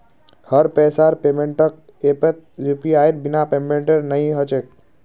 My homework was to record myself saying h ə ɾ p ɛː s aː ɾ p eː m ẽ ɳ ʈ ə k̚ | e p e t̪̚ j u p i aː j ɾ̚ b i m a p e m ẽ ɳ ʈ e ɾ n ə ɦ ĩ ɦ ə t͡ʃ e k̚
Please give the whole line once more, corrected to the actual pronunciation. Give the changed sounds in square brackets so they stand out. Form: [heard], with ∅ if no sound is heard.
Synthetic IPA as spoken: h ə ɾ p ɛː s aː ɾ p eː m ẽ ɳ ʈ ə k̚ | e p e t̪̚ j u p i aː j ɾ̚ b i [n] a p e m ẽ ɳ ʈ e ɾ n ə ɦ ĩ ɦ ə t͡ʃ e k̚